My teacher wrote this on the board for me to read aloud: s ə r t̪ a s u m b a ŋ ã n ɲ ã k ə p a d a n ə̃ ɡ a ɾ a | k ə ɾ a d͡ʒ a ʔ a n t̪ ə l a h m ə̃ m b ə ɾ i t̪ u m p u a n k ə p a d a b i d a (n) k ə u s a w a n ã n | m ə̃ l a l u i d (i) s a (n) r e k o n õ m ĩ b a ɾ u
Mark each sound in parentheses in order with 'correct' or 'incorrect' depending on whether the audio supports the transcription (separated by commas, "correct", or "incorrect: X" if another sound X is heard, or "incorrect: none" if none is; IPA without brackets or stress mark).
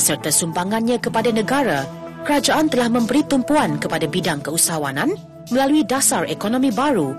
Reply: incorrect: ŋ, incorrect: a, incorrect: none